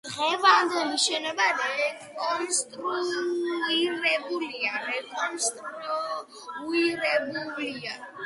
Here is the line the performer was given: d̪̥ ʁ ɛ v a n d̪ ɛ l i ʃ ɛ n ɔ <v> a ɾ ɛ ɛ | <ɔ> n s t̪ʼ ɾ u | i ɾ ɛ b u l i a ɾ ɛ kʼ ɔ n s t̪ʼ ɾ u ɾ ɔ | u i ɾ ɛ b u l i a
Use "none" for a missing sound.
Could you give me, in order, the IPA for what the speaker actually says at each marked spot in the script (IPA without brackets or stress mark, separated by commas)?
b, ɔ